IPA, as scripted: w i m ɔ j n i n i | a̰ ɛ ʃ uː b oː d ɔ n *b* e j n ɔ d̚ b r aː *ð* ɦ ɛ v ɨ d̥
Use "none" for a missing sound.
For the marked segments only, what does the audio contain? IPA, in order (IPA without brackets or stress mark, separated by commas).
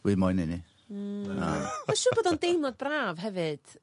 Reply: d, v